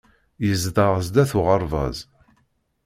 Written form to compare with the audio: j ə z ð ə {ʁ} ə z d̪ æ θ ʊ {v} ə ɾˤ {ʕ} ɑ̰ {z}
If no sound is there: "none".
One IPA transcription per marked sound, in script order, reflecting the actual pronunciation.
ʁ, ʁ, v, z

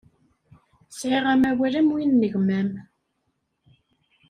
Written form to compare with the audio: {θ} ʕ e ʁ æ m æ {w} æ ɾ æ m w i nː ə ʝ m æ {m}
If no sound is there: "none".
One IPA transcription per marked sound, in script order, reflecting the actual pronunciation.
s, w, m

